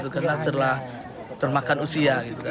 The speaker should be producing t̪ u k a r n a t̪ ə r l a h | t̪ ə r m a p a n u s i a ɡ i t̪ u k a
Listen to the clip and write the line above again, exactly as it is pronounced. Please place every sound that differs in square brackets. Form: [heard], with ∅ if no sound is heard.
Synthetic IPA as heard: t̪ u k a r n a t̪ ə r l a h | t̪ ə r m a [k] a n u s i a ɡ i t̪ u k a